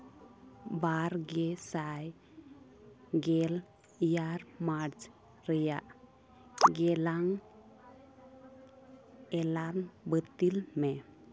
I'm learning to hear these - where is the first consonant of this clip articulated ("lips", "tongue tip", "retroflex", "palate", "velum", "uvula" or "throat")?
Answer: lips